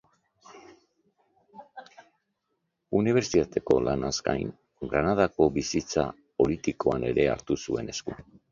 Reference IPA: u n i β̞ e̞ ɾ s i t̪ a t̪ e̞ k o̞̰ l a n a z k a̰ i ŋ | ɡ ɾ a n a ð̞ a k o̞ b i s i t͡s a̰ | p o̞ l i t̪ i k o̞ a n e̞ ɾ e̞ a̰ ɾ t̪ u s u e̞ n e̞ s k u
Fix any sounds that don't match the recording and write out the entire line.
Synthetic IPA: u n i β̞ e̞ ɾ s i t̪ a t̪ e̞ k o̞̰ l a n a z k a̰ j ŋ | ɡ ɾ a n a ð̞ a k o̞ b i s i t͡s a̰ | p o̞ l i t̪ i k o̞ a n e̞ ɾ e̞ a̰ ɾ t̪ u s u e̞ n e̞ s k u